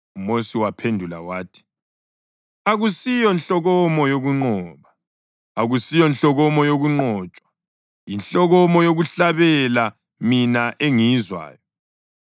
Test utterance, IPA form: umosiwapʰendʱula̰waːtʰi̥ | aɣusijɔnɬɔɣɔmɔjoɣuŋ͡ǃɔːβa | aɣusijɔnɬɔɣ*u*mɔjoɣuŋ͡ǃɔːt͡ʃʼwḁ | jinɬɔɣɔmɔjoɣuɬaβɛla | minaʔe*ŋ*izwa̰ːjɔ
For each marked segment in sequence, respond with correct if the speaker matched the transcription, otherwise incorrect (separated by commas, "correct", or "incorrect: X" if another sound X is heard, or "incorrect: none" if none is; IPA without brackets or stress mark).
incorrect: ɔ, correct